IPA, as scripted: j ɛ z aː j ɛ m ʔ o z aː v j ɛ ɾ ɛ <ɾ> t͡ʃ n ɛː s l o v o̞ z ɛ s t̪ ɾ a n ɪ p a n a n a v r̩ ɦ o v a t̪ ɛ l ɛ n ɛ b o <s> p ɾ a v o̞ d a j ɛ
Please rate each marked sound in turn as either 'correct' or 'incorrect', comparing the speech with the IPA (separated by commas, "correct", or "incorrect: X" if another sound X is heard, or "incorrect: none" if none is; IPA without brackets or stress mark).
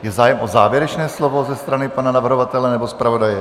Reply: incorrect: none, correct